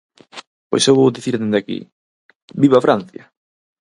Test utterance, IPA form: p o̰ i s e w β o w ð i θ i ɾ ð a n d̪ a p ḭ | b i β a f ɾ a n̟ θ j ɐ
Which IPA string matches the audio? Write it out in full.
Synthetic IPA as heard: p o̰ j s e w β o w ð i θ i ɾ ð e n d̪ a k ḭ | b i β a f ɾ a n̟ θ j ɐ

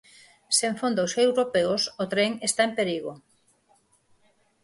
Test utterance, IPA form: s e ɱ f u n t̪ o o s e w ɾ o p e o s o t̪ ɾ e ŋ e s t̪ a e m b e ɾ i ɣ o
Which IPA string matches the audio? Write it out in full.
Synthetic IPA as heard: s e ɱ f o n d̪ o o s e w ɾ o p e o s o t̪ ɾ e ŋ e s t̪ a e m p e ɾ i ɣ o

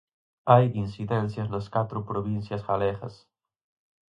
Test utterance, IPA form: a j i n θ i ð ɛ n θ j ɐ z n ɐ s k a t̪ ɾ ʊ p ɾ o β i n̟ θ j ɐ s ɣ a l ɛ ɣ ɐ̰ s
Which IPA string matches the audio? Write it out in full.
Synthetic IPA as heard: a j i n s i ð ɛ n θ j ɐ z n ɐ s k a t̪ ɾ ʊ p ɾ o β i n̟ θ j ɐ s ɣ a l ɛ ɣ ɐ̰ s

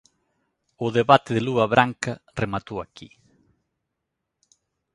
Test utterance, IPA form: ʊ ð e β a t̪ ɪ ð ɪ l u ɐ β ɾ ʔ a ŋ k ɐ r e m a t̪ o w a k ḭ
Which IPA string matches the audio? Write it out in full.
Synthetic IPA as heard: ʊ ð e β a t̪ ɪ ð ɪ l u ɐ β ɾ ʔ a ŋ k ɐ r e m a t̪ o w a k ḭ

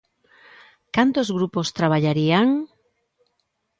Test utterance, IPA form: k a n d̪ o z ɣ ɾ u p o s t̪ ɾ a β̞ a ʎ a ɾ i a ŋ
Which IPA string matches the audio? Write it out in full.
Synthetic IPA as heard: k a n t̪ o z ɣ ɾ u p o s t̪ ɾ a β̞ a ʎ a ɾ i a ŋ

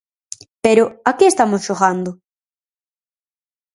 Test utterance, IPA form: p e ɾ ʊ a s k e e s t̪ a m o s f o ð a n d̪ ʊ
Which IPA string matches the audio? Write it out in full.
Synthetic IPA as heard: p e ɾ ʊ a k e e s t̪ a m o s ʃ o ɣ a n d̪ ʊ

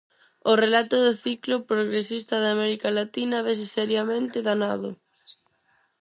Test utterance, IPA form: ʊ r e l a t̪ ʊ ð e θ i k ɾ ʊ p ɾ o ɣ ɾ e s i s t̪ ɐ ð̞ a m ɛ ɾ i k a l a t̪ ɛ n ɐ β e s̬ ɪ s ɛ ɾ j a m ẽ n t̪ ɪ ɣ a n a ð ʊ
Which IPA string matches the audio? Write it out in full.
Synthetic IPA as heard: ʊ r e l a t̪ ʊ ð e θ i k l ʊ p ɾ o ɣ ɾ e s i s t̪ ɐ ð̞ a m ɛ ɾ i k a l a t̪ i n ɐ β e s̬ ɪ s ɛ ɾ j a m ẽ n t̪ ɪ ð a n a ð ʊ

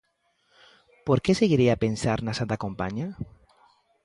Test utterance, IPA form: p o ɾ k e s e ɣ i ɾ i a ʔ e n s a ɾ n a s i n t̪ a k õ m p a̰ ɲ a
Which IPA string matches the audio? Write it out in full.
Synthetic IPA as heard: p o ɾ k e s e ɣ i ɾ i a p e n s a ɾ n a s a n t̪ a k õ m p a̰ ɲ a

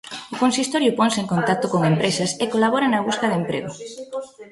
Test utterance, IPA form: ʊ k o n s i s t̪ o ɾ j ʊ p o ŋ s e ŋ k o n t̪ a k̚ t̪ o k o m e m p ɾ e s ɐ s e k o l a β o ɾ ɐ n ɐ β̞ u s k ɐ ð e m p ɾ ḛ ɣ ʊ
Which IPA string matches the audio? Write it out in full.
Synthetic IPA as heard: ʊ k o n s i s t̪ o ɾ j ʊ p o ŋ s e ŋ k o n t̪ a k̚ t̪ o k o ŋ e m p ɾ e s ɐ s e k o l a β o ɾ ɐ n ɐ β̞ u s k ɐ ð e m p ɾ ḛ ɣ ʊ

